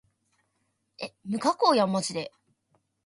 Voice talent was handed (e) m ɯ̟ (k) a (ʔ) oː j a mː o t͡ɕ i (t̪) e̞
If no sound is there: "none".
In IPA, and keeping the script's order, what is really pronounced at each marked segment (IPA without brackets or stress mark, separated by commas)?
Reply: e, k, k, d̪